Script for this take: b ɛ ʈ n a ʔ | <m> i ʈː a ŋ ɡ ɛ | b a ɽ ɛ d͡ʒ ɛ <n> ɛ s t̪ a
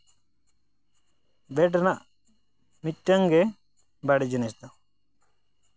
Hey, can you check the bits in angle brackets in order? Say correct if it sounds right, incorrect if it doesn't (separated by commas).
correct, correct